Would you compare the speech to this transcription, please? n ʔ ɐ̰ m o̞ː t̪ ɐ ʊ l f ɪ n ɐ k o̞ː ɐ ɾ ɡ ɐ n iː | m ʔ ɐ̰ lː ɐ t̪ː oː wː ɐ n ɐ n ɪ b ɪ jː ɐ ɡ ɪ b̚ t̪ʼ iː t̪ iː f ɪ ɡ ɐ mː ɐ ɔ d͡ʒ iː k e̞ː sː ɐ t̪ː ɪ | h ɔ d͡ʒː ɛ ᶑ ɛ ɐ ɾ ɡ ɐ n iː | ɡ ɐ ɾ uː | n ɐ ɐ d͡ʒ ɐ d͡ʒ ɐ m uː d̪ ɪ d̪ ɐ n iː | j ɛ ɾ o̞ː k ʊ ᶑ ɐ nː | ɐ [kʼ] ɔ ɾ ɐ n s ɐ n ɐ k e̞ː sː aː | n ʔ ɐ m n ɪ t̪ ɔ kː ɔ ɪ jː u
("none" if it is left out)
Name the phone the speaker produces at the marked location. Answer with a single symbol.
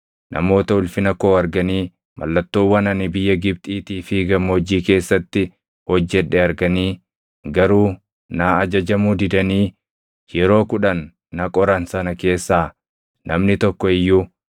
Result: kʼ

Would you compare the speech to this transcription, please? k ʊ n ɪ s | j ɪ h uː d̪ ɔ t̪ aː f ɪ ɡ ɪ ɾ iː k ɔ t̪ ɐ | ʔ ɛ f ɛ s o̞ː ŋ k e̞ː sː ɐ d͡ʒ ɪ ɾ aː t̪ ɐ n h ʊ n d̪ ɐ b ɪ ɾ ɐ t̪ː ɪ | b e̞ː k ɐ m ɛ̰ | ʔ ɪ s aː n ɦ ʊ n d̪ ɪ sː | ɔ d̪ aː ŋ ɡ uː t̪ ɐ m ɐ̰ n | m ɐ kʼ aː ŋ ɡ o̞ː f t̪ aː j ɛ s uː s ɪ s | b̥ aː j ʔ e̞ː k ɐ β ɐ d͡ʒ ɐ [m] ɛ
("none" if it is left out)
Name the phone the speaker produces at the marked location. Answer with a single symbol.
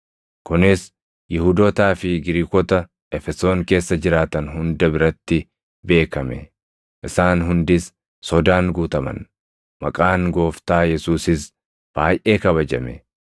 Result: m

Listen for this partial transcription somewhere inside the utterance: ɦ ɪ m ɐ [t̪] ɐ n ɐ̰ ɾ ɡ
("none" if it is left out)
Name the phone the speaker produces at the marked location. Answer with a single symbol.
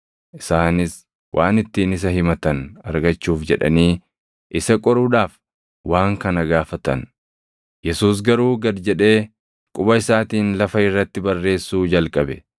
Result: t̪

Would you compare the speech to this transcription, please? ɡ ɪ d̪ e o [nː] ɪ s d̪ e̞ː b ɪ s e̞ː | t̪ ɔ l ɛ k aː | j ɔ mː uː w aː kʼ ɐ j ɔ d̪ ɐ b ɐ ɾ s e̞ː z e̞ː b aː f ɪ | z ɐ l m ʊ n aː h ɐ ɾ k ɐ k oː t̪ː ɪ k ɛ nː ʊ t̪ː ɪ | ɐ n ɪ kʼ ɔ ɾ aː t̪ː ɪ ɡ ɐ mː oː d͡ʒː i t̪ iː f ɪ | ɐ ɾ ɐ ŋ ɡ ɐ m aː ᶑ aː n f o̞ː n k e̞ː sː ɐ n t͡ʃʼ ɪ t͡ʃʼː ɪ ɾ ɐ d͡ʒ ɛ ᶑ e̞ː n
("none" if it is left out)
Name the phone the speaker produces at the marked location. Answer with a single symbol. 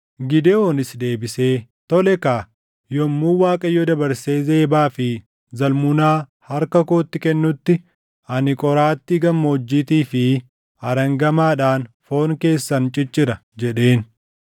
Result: n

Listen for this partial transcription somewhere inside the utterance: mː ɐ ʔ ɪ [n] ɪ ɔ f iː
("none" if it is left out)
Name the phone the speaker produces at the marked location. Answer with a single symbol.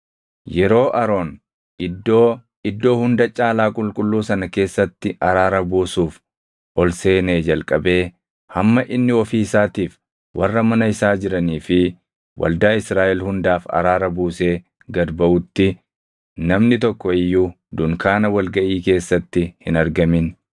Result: nː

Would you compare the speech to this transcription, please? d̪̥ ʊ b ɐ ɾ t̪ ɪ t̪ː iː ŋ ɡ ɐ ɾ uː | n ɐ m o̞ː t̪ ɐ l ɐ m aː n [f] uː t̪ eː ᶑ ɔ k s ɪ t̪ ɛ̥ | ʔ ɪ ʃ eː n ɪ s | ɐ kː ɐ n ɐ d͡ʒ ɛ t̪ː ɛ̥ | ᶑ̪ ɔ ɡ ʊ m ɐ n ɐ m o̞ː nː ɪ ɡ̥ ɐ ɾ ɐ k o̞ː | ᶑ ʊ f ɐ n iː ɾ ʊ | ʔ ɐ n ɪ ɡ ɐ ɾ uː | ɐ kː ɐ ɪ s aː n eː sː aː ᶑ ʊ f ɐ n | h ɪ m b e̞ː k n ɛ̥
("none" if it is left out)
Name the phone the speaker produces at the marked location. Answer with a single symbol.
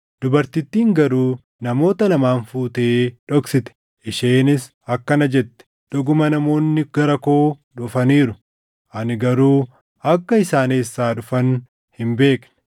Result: f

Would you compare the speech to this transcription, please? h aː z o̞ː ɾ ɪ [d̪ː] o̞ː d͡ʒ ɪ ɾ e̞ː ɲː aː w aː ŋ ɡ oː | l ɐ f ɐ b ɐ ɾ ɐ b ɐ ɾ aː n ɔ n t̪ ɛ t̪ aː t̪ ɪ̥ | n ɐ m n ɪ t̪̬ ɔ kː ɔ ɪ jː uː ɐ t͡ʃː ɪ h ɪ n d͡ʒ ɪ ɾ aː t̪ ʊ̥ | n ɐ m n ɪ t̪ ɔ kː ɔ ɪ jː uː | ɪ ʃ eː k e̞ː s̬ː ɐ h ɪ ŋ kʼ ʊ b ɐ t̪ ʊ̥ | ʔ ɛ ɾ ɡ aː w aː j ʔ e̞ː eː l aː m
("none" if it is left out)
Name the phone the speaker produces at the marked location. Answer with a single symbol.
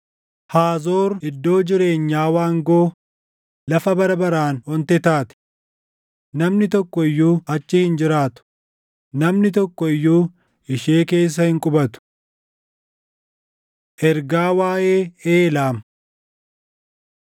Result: d̪ː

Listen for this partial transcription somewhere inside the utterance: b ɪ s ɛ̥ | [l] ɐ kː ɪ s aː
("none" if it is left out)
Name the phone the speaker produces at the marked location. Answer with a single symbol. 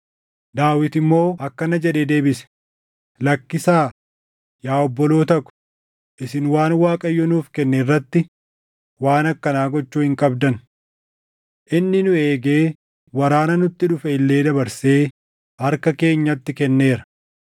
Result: l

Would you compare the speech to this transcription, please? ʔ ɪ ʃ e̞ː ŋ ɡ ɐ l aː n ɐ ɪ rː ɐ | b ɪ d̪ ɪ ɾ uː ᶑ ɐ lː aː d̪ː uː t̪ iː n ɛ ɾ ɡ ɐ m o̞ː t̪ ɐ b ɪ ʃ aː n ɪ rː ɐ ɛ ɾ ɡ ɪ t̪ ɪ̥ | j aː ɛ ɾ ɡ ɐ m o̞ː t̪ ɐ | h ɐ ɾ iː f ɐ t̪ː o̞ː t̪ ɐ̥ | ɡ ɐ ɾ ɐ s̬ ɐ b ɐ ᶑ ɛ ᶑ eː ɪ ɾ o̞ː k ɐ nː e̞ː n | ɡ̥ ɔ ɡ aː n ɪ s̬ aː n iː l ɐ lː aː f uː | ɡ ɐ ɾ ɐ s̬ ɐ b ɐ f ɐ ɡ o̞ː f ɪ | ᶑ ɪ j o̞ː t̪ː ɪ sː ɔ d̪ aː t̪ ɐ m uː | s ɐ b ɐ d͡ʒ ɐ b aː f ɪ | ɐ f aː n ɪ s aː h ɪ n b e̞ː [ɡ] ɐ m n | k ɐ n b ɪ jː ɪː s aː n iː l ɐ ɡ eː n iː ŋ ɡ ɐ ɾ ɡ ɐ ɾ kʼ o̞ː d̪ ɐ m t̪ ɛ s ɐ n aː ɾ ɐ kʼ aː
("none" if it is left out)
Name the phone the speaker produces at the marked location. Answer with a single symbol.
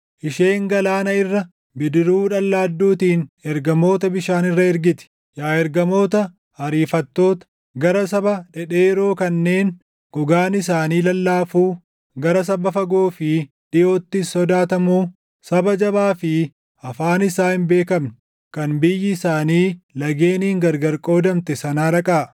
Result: k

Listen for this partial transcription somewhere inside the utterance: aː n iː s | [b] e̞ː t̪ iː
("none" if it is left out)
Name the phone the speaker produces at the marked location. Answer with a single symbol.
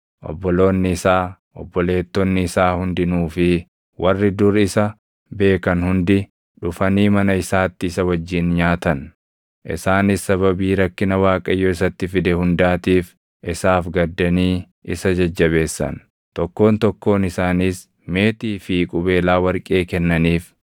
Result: m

